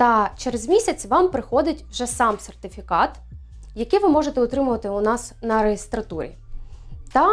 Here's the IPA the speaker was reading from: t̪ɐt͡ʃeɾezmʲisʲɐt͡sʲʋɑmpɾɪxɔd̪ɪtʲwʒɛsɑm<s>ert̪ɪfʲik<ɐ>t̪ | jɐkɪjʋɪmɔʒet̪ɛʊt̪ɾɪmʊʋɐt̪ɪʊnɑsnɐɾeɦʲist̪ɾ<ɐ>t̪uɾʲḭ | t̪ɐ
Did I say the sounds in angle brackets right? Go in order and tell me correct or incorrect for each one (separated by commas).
correct, incorrect, correct